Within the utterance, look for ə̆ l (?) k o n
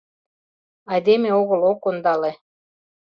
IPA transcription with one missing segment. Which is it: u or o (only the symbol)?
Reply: o